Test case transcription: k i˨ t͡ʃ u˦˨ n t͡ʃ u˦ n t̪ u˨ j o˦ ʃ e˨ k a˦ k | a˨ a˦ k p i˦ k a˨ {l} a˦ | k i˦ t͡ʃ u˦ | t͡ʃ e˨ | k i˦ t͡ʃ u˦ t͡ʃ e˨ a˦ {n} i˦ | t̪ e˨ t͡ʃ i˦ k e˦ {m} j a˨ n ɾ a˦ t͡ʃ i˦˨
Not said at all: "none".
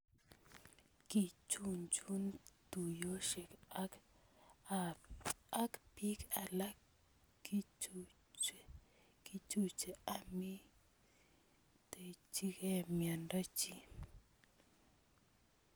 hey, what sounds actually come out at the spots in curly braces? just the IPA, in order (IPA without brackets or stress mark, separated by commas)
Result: l, m, m